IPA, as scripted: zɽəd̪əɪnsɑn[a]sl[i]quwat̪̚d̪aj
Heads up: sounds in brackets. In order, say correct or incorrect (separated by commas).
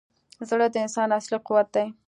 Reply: correct, correct